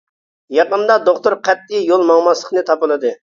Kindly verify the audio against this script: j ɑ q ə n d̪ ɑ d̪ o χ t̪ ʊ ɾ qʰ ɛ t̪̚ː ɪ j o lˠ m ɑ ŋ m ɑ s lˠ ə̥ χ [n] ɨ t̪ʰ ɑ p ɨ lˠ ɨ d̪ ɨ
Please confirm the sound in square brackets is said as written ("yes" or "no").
yes